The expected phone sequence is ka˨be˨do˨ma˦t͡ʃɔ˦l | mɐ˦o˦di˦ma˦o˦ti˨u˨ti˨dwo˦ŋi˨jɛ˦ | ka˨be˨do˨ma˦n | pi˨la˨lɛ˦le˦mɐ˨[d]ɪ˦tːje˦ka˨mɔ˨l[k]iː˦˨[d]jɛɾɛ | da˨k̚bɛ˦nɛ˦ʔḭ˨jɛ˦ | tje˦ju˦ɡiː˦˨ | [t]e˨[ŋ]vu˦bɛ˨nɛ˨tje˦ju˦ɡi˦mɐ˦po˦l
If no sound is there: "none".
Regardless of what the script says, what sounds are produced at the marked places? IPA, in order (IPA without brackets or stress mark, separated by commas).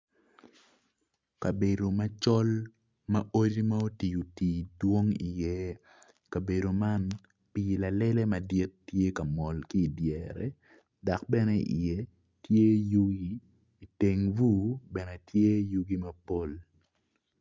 d, k, d, t, ŋ